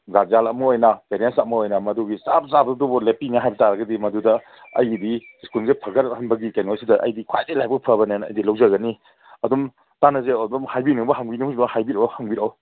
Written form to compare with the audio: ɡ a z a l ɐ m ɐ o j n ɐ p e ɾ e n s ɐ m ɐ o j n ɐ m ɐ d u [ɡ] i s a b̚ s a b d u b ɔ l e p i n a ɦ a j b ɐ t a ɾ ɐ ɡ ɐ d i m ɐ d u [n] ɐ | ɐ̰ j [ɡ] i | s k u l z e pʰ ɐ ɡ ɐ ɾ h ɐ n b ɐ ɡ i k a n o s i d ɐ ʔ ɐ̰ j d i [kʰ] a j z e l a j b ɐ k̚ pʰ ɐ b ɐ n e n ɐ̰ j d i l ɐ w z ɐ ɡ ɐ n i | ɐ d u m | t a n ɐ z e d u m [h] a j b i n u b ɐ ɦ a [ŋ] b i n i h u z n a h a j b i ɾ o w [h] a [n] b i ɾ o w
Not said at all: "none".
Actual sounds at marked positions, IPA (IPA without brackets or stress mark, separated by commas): ɡ, d, d, kʰ, h, ŋ, h, ŋ